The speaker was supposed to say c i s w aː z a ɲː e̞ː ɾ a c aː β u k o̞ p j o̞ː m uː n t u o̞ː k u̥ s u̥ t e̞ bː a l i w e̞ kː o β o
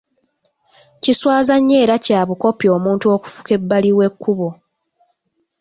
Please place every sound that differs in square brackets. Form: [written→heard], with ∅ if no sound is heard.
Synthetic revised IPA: c i s w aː z a ɲː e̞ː ɾ a c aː β u k o̞ p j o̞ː m uː n t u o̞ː k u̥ [s→f] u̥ [t→k] e̞ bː a l i w e̞ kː [o→u] β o

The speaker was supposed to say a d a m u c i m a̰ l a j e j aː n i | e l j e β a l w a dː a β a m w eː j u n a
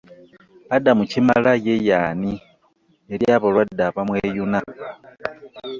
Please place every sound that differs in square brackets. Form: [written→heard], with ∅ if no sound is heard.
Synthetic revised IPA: a d a m u c i m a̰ l a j e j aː n i | e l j [e→a] β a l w a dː a β a m w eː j u n a

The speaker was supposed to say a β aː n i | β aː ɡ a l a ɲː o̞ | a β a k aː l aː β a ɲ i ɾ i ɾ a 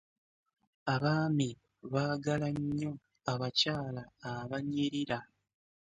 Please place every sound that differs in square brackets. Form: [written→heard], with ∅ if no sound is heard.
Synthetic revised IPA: a β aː [n→m] i | β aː ɡ a l a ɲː o̞ | a β a [k→c] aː l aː β a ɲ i ɾ i ɾ a

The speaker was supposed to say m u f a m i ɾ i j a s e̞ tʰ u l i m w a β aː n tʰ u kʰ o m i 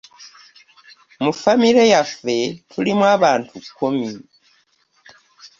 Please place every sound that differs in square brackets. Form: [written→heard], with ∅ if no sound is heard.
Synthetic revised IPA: m u f a m i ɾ [i→e] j a [s→f] e̞ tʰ u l i m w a β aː n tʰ u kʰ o m i

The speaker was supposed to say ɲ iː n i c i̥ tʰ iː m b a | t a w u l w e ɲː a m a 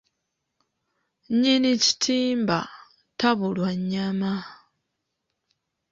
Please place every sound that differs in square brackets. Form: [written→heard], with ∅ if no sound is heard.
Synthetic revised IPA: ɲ [iː→i] n i c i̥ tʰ iː m b a | t a [w→β] u l w [e→a] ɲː a m a

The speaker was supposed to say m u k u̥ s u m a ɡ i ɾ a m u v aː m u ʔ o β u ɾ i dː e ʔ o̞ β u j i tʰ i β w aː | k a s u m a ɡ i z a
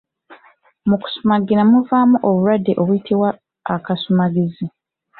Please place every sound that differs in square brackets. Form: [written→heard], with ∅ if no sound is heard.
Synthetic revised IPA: m u k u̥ s u m a ɡ i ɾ a m u v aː m u ʔ o β u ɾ [i→a] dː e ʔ o̞ β u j i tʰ i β w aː | k a s u m a ɡ i z [a→i]

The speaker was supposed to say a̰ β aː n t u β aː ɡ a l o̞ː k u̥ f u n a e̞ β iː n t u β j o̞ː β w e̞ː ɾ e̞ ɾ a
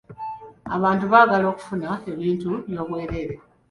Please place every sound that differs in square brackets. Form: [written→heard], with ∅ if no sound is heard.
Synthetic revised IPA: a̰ β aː n t u β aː ɡ a l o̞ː k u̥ f u n a e̞ β iː n t u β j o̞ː β w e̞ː ɾ e̞ ɾ [a→e]

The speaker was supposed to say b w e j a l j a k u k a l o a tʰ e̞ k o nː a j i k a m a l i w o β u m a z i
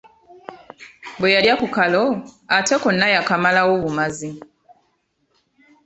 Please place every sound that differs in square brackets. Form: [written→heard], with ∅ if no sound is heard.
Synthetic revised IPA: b w e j a l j a k u k a l o a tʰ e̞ k o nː a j [i→a] k a m a l [i→a] w o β u m a z i

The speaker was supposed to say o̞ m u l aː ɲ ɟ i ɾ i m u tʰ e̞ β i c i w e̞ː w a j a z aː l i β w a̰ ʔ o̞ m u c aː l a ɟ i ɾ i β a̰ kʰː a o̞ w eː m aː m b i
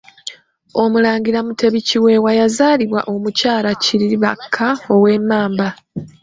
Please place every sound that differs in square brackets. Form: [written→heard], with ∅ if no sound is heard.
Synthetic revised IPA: o̞ m u l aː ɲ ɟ i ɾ [i→a] m u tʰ e̞ β i c i w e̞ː w a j a z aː l i β w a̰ ʔ o̞ m u c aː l a [ɟ→c] i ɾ i β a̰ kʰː a o̞ w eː m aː m b [i→a]

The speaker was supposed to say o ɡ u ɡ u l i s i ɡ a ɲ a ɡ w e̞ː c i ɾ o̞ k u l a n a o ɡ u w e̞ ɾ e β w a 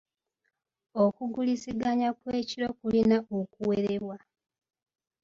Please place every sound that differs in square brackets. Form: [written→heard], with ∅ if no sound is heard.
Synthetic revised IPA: o [ɡ→k] u ɡ u l i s i ɡ a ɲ a [ɡ→k] w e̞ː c i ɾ o̞ k u l [a→i] n a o [ɡ→k] u w e̞ ɾ e β w a

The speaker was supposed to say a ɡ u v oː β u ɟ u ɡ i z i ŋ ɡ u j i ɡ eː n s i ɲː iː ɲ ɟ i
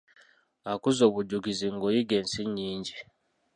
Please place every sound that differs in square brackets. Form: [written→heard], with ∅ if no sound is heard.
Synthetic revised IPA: a [ɡ→k] u [v→z] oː β u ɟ u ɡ i z i ŋ ɡ [u→o] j i ɡ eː n s i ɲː iː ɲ ɟ i

